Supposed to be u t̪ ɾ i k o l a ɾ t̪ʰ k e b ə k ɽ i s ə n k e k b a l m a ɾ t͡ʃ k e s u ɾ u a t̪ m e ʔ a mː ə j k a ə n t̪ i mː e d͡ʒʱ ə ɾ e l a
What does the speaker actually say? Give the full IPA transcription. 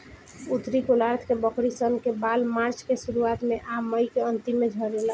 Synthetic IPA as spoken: u t̪ ɾ i k o l a ɾ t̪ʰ k e b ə k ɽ i s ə n k e b a l m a ɾ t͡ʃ k e s u ɾ u a t̪ m e ʔ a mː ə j k e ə n t̪ i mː e d͡ʒʱ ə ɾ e l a